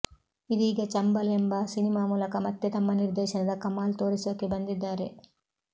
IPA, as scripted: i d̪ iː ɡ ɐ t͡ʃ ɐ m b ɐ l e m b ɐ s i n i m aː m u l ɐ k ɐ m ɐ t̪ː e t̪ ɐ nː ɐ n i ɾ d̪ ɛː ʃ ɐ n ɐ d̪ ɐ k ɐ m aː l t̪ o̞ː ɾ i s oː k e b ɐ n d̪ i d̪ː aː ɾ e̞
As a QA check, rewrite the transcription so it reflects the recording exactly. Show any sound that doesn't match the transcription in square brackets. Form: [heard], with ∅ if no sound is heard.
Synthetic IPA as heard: i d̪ iː ɡ ɐ t͡ʃ ɐ m b ɐ l e m b ɐ s i n i m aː m [uː] l ɐ k ɐ m ɐ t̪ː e t̪ ɐ [mː] ɐ n i ɾ d̪ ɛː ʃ ɐ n ɐ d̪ ɐ k ɐ m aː l t̪ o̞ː ɾ i s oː k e b ɐ n d̪ i d̪ː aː ɾ e̞